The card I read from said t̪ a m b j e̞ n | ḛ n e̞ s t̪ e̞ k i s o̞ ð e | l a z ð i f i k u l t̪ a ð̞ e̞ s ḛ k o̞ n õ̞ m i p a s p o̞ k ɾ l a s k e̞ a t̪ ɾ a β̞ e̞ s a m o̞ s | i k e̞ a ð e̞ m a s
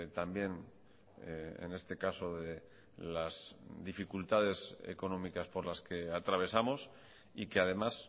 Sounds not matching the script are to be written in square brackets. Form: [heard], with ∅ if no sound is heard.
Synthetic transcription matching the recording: t̪ a m b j e̞ n | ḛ n e̞ s t̪ e̞ k [a] s o̞ ð e | l a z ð i f i k u l t̪ a ð̞ e̞ s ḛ k o̞ n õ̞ m i [k] a s p o̞ [∅] ɾ l a s k e̞ a t̪ ɾ a β̞ e̞ s a m o̞ s | i k e̞ a ð e̞ m a s